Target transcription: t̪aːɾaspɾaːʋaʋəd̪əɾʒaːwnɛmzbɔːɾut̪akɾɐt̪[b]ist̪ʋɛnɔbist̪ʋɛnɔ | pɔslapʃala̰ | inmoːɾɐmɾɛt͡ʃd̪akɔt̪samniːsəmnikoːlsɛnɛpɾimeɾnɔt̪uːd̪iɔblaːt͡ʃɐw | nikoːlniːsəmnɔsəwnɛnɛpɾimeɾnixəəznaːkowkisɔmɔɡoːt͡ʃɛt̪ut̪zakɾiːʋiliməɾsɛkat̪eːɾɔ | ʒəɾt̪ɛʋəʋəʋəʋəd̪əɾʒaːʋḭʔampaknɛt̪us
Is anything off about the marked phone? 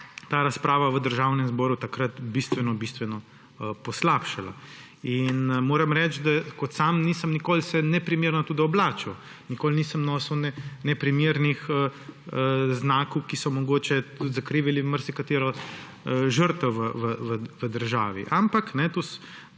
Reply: no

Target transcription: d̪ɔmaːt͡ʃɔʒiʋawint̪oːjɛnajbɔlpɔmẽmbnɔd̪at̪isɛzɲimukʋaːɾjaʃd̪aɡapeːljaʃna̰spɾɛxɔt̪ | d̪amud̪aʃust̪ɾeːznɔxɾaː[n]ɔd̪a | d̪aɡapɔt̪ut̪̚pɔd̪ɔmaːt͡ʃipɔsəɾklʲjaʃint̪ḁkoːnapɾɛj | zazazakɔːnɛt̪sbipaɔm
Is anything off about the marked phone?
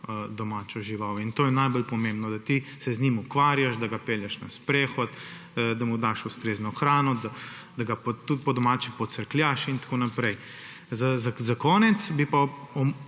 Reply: no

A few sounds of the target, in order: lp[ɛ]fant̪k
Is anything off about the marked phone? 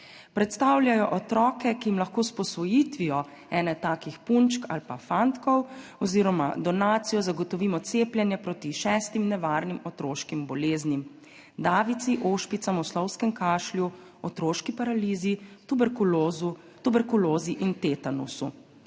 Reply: yes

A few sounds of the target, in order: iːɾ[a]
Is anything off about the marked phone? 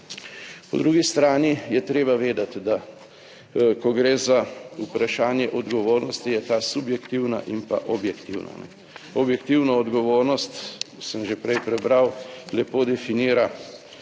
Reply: no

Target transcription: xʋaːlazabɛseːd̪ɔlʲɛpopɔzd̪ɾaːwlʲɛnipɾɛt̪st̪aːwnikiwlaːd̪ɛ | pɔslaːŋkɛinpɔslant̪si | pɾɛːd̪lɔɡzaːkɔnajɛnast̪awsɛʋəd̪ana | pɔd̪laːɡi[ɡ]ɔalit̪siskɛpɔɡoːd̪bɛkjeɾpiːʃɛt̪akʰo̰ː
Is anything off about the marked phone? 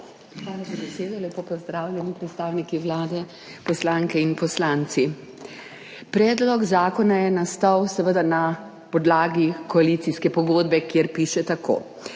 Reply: yes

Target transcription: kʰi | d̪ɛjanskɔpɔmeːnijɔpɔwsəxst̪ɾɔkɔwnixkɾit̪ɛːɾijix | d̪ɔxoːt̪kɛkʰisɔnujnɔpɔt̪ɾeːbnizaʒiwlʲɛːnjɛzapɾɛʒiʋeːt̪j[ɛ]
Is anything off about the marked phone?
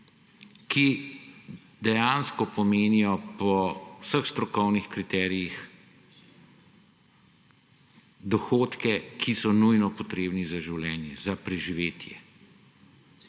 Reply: no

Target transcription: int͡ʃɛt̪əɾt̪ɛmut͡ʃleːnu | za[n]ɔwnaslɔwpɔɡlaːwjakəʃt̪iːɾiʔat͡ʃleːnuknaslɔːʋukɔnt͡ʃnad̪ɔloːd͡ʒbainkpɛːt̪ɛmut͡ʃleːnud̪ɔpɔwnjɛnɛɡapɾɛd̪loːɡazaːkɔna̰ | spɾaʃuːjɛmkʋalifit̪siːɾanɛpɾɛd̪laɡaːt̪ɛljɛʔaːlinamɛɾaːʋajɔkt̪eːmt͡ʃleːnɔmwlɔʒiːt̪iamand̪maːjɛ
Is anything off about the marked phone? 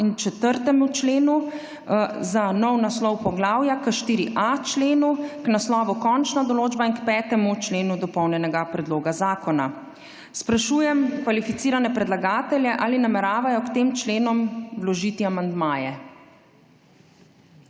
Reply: no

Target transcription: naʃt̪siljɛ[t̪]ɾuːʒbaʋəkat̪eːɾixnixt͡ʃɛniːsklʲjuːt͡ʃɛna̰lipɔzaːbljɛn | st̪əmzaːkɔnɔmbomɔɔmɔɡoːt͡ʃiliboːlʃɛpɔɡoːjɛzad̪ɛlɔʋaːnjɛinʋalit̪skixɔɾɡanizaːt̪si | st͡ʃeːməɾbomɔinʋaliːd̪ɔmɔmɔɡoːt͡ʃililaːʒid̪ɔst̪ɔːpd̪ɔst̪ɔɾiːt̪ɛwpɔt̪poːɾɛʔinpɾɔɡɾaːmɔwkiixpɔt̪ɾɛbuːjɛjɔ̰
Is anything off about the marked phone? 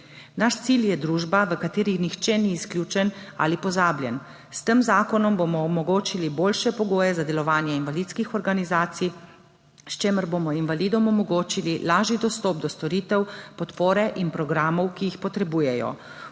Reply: yes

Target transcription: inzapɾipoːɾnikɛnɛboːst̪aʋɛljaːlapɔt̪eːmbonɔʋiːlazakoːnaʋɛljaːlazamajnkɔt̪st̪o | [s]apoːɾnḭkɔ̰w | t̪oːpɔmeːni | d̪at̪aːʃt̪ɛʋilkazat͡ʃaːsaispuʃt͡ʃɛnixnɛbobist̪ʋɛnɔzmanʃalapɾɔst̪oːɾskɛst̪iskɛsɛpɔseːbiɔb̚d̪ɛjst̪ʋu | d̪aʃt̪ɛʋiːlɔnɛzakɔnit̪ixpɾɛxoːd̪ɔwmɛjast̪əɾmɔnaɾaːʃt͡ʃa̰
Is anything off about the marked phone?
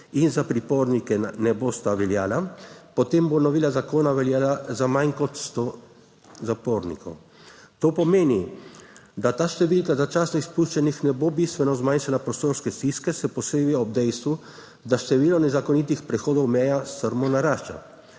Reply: yes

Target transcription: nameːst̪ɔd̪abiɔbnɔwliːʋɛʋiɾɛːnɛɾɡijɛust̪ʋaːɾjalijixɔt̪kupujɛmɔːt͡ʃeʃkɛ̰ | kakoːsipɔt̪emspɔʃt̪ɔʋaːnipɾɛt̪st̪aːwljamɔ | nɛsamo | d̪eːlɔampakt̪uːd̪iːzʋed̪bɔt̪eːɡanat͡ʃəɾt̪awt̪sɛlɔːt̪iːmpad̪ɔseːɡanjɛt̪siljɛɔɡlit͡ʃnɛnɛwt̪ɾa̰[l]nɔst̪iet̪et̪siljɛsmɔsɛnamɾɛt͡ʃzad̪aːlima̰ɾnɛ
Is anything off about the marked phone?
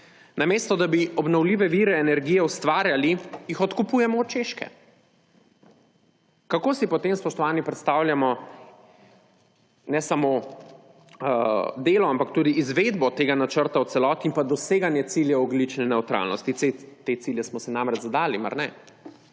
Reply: no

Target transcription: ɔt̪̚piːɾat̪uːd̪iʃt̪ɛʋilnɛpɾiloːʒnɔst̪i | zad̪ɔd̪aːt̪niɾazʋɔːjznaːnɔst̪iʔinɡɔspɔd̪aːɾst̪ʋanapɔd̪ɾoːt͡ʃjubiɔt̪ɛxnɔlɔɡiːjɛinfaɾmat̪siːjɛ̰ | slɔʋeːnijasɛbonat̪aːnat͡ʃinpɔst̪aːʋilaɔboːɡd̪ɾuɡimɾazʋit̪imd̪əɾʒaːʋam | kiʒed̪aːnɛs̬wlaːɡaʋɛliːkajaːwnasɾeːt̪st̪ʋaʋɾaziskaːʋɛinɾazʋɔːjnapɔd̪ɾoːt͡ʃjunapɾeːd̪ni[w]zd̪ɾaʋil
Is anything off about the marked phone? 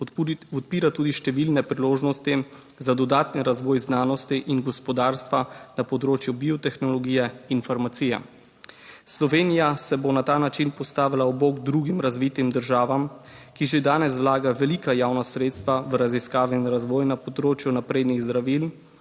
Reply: yes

